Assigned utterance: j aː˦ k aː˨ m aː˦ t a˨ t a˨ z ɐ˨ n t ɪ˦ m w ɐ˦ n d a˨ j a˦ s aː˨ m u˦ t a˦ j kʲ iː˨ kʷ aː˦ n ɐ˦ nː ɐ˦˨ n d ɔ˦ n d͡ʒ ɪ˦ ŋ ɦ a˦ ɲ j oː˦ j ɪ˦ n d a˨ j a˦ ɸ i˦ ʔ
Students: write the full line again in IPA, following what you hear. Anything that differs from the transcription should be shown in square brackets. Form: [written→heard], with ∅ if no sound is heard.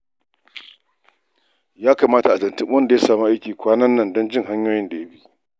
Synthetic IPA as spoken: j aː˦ k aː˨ m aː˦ t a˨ [t→ʔ] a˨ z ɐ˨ n t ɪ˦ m w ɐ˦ n d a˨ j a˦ s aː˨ m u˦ [t→ʔ] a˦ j kʲ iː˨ kʷ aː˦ n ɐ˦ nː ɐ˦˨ n d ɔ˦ n d͡ʒ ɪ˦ ŋ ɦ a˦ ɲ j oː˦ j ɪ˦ n d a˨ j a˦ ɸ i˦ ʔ

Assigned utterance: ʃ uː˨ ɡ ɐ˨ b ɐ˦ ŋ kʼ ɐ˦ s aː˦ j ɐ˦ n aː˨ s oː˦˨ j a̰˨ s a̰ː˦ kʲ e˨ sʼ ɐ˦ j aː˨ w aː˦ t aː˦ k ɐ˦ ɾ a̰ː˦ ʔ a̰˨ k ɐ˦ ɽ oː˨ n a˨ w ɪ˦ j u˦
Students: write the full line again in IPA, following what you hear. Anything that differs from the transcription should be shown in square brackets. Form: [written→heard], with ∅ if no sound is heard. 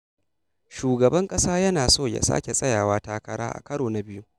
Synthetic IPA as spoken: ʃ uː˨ ɡ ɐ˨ b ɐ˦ ŋ kʼ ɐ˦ s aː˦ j ɐ˦ n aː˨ s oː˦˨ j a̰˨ s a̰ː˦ kʲ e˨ sʼ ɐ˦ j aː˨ w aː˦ t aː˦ k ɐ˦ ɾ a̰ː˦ ʔ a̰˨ k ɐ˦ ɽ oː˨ n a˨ [w→b] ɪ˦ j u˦

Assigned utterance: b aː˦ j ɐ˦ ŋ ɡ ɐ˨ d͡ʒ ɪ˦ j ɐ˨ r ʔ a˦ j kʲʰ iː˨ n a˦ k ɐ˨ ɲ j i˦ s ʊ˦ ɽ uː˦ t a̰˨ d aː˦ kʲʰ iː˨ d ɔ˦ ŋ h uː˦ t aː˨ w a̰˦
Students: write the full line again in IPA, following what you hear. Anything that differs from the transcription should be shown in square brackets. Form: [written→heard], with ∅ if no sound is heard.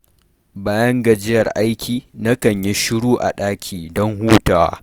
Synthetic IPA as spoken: b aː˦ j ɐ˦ ŋ ɡ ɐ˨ d͡ʒ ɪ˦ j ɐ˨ r ʔ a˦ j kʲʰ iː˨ n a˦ k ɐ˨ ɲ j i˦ [s→ʃ] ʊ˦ ɽ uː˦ [t→ʔ] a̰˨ [d→ɗ] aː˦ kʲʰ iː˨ d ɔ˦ ŋ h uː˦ t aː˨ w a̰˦

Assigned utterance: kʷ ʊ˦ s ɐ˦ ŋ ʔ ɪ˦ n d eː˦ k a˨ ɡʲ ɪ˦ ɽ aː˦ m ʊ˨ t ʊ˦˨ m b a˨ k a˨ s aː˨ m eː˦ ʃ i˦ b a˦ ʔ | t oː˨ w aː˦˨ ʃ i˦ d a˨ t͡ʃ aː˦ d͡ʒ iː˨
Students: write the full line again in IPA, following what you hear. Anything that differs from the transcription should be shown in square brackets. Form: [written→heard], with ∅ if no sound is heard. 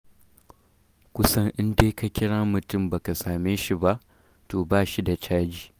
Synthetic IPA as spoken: kʷ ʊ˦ s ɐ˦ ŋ ʔ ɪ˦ n d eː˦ k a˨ [ɡʲ→kʲ] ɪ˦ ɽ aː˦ m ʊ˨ t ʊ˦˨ m b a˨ k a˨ s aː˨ m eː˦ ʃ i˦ b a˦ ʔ | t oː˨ [w→b] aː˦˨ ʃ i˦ d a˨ t͡ʃ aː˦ d͡ʒ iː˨

